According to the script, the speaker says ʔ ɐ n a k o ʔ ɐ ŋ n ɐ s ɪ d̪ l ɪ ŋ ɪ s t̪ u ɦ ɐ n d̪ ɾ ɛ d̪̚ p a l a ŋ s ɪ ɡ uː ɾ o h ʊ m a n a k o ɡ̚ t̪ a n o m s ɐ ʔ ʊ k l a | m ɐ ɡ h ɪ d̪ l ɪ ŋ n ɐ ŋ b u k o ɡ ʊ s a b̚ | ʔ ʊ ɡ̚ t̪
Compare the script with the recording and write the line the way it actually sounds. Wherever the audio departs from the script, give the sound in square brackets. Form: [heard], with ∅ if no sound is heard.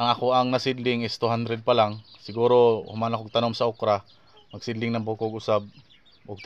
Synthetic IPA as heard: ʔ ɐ [ŋ] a k o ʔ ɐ ŋ n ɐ s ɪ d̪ l ɪ ŋ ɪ s t̪ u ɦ [a] n d̪ ɾ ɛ d̪̚ p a l a ŋ s ɪ ɡ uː ɾ o h ʊ m a n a k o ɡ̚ t̪ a n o m s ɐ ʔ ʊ k [ɾ] a | m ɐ ɡ [s] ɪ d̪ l ɪ ŋ n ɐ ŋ b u k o ɡ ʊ s a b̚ | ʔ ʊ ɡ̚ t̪